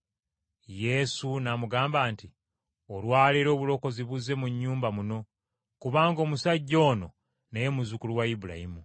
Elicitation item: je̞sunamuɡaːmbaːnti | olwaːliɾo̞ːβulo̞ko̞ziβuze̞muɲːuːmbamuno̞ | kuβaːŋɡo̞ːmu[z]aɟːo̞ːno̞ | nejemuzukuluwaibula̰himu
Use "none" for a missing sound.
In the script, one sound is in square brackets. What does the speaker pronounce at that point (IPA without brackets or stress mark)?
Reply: s